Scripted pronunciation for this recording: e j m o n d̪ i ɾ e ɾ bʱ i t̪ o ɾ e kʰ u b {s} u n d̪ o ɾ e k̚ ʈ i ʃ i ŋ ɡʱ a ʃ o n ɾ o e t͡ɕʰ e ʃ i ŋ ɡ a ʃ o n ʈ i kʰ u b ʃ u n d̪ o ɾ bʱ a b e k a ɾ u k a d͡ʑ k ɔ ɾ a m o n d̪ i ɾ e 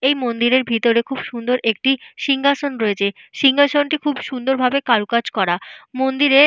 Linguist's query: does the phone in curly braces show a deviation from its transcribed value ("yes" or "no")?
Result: yes